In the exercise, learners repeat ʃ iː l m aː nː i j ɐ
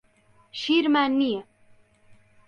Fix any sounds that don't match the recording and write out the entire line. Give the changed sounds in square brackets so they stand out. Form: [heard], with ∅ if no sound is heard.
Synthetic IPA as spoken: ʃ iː [ɾ] m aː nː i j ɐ